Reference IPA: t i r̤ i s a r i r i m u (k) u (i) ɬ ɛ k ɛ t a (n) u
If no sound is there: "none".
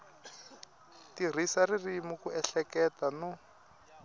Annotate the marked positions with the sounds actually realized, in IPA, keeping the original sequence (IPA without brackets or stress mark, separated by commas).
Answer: k, ɛ, n